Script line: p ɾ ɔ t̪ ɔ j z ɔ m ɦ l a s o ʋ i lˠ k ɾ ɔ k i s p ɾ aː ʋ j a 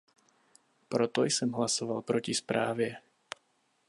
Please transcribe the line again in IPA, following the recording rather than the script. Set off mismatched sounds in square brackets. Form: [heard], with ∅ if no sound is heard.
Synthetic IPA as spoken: p ɾ ɔ t̪ ɔ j [s] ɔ m ɦ l a s [ɔ] ʋ [a] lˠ [p] ɾ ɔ [c] i s p ɾ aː ʋ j [ɛ]

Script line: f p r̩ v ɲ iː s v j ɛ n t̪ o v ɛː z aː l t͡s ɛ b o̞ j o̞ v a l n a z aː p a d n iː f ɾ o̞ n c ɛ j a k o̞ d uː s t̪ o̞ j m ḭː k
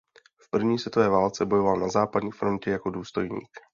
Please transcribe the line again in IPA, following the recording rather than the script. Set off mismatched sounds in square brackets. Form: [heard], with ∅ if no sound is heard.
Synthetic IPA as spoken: f p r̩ v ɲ iː s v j ɛ [∅] t̪ o v ɛː [v] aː l t͡s ɛ b o̞ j o̞ v a l n a z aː p a d [ɲ] iː f ɾ o̞ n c ɛ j a k o̞ d uː s t̪ o̞ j [ɲ] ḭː k

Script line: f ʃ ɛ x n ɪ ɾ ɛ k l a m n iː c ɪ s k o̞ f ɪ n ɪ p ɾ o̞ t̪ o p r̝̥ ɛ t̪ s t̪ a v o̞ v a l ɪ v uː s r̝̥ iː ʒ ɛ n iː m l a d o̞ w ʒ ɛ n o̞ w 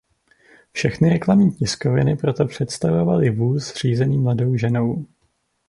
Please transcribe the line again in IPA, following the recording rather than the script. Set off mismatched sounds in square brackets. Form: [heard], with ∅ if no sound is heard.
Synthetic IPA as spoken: f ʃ ɛ x n ɪ ɾ ɛ k l a m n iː c ɪ s k o̞ [v] ɪ n ɪ p ɾ o̞ t̪ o p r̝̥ ɛ t̪ s t̪ a v o̞ v a l ɪ v uː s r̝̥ iː [z] ɛ n iː m l a d o̞ w ʒ ɛ n o̞ w

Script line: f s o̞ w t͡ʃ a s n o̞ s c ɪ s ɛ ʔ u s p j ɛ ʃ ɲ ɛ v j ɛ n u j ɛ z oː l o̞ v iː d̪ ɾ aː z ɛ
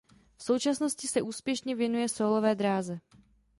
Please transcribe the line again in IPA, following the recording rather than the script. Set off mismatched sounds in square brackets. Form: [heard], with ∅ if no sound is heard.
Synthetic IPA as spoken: f s o̞ w t͡ʃ a s n o̞ s c ɪ s ɛ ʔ [uː] s p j ɛ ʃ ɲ ɛ v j ɛ n u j ɛ [s] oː l o̞ v [ɛː] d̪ ɾ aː z ɛ

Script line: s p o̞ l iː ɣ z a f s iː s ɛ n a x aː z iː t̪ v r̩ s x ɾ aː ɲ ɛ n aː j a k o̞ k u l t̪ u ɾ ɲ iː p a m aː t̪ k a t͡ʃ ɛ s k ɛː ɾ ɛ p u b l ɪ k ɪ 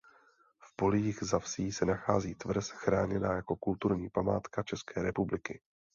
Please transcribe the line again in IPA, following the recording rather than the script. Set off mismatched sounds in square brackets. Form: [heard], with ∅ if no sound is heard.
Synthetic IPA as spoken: [f] p o̞ l iː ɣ z a f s iː s ɛ n a x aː z iː t̪ v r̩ s x ɾ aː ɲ ɛ n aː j a k o̞ k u l t̪ u ɾ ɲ iː p a m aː t̪ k a t͡ʃ ɛ s k ɛː ɾ ɛ p u b l ɪ k ɪ

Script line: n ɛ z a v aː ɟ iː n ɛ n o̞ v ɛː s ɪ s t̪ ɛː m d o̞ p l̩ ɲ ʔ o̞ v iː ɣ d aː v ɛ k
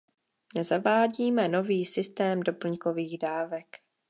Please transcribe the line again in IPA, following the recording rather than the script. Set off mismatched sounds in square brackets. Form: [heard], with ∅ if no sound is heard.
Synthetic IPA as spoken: n ɛ z a v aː ɟ iː [m] ɛ n o̞ v [iː] s ɪ s t̪ ɛː m d o̞ p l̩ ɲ [k] o̞ v iː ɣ d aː v ɛ k

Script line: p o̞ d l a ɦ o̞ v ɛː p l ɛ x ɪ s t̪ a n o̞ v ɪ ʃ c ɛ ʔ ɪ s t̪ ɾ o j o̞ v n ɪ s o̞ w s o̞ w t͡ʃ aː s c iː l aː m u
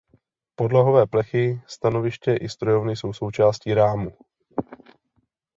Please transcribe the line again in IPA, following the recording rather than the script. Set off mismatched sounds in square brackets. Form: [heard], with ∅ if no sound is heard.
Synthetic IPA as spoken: p o̞ d l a ɦ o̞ v ɛː p l ɛ x ɪ s t̪ a n o̞ v ɪ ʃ c ɛ ʔ ɪ s t̪ ɾ o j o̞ v n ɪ s o̞ w s o̞ w t͡ʃ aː s c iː [ɾ] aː m u

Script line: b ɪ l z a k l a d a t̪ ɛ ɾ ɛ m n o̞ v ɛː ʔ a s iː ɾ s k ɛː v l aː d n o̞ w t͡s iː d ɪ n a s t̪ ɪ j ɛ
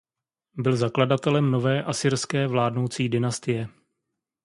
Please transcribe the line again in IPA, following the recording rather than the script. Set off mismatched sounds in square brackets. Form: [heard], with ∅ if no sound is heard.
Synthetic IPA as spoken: b ɪ l z a k l a d a t̪ ɛ [l] ɛ m n o̞ v ɛː ʔ a s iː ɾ s k ɛː v l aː d n o̞ w t͡s iː d ɪ n a s t̪ ɪ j ɛ

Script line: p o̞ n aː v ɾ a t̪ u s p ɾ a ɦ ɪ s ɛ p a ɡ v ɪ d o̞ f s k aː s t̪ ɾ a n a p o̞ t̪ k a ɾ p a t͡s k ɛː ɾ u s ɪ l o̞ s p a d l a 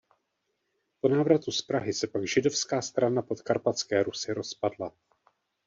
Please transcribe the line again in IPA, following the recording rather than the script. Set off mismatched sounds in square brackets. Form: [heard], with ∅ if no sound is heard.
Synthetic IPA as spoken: p o̞ n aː v ɾ a t̪ u s p ɾ a ɦ ɪ s ɛ p a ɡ [ʒ] ɪ d o̞ f s k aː s t̪ ɾ a n a p o̞ t̪ k a ɾ p a t͡s k ɛː ɾ u s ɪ [ɾ] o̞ s p a d l a

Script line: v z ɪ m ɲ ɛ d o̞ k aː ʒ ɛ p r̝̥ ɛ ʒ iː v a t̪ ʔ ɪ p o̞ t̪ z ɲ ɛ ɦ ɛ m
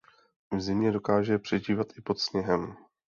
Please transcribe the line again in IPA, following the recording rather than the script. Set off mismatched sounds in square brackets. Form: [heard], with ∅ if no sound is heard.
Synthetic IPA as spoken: v z ɪ m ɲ ɛ d o̞ k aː ʒ ɛ p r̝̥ ɛ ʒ iː v a t̪ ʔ ɪ p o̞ t̪ [s] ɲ ɛ ɦ ɛ m

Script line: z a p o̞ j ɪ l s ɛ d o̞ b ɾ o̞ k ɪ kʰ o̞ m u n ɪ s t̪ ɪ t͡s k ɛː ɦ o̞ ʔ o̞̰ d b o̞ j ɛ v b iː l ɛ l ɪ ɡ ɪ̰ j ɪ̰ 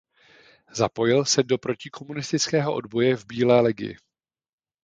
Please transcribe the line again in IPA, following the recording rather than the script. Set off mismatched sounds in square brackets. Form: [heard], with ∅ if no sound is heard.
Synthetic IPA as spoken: z a p o̞ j ɪ l s ɛ d o̞ [p] ɾ o̞ [c] ɪ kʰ o̞ m u n ɪ s t̪ ɪ t͡s k ɛː ɦ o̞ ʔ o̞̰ d b o̞ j ɛ v b iː l [ɛː] l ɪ ɡ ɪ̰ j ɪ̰

